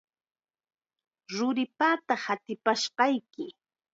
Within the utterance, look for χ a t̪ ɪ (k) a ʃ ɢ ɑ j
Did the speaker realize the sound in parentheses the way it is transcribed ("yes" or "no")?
no